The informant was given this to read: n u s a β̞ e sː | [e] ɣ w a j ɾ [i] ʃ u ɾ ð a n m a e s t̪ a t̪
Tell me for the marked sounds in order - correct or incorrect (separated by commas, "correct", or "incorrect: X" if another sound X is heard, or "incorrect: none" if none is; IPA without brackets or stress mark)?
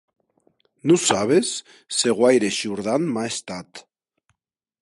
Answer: correct, incorrect: e